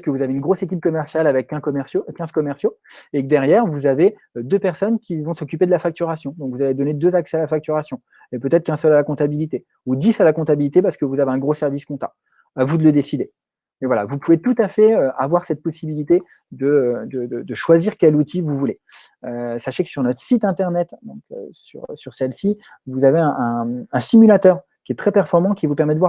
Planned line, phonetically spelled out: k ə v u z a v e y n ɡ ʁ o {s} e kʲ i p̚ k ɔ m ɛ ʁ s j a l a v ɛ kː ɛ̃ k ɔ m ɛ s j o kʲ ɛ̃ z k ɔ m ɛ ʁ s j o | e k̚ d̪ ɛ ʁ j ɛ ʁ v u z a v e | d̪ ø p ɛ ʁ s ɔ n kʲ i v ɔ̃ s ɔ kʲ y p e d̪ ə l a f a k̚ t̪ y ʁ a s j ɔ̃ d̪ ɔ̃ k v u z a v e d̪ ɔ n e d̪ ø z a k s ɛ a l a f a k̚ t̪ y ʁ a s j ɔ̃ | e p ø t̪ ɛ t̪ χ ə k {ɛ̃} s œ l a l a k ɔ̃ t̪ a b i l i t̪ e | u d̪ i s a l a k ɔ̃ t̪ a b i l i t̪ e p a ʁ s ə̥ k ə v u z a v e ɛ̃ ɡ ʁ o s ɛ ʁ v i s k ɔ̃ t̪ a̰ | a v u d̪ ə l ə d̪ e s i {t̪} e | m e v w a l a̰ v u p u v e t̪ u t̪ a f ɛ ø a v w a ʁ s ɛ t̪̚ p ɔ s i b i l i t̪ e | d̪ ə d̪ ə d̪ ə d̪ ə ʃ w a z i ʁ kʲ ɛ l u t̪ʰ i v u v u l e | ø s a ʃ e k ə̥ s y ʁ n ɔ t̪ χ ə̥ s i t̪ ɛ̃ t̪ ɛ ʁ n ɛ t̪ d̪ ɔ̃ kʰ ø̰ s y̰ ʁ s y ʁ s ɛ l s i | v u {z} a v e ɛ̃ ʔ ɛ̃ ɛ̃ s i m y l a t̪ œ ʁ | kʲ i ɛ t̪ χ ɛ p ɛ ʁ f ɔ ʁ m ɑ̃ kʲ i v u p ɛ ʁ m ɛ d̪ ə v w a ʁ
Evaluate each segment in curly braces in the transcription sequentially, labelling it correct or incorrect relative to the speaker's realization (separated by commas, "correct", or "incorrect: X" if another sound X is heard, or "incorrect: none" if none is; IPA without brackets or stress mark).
correct, correct, incorrect: d̪, correct